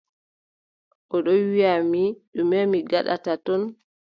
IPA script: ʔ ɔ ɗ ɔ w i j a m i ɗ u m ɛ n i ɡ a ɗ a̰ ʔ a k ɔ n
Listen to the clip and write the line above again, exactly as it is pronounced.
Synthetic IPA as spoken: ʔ ɔ ɗ ɔ w i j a m i ɗ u m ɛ m i ɡ a ɗ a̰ t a t ɔ n